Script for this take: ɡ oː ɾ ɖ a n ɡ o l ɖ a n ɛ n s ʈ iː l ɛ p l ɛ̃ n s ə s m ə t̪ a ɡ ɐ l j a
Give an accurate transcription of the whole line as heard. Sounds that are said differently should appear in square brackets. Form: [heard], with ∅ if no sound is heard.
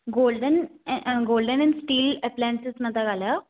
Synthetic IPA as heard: ɡ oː [l] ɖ [ə] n ɡ o l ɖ [ə] n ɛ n s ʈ iː l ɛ p l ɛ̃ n s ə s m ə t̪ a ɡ [a] l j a